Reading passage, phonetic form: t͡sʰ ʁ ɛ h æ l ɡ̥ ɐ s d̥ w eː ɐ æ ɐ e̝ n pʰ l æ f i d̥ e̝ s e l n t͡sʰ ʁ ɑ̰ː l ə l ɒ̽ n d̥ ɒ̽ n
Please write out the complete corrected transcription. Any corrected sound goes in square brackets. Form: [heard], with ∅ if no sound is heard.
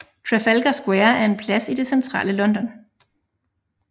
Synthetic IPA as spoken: t͡sʰ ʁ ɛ [f] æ l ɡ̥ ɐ s [ɡ̥] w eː ɐ æ ɐ e̝ n pʰ l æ [s] i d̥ e̝ s e [∅] n t͡sʰ ʁ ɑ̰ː l ə l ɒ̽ n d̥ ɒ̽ n